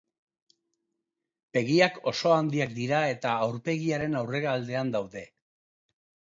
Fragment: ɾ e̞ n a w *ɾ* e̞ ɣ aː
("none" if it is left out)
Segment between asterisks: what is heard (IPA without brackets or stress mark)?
r